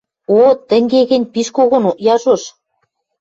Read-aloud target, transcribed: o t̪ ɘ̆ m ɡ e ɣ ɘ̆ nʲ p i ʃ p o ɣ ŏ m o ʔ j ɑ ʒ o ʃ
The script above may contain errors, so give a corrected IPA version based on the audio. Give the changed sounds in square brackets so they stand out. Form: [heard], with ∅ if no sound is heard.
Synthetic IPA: o t̪ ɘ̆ [ŋ] ɡ e ɣ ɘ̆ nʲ p i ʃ [k] o ɣ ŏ [n] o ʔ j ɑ ʒ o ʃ